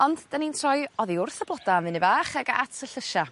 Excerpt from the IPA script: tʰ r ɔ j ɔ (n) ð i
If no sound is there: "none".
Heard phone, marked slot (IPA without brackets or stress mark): none